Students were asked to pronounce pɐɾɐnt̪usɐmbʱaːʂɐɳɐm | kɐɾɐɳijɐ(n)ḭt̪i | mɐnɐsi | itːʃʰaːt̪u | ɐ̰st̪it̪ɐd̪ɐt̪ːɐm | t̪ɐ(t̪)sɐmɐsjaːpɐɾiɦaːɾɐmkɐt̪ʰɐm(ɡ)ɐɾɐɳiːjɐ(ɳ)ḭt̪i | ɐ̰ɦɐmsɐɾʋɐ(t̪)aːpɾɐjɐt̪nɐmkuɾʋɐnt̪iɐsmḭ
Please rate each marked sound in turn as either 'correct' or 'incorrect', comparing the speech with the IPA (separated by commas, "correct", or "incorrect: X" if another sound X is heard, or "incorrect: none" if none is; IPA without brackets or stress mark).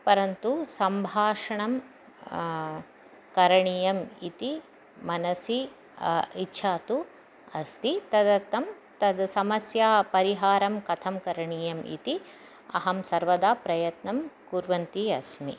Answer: incorrect: m, incorrect: d̪, incorrect: k, incorrect: m, incorrect: d̪